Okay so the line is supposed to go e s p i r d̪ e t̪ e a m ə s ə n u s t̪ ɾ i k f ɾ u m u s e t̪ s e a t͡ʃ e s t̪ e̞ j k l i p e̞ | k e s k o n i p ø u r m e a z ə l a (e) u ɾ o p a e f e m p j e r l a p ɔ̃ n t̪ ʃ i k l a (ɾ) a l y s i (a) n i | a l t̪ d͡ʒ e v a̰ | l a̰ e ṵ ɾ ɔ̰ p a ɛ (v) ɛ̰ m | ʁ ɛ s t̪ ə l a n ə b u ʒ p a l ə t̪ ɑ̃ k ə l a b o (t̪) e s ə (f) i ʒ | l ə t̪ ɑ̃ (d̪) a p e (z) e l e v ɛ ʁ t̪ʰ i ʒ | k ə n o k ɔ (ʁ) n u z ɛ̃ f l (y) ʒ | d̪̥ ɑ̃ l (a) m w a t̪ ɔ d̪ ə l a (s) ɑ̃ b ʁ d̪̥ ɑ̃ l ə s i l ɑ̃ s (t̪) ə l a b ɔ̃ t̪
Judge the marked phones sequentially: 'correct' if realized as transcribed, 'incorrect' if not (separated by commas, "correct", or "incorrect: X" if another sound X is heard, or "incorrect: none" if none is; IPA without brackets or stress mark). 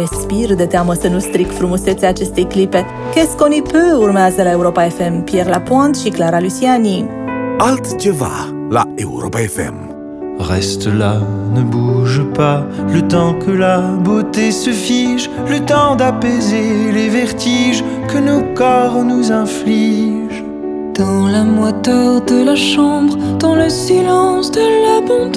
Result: correct, correct, correct, incorrect: f, correct, correct, correct, correct, correct, incorrect: i, correct, incorrect: ʃ, incorrect: d̪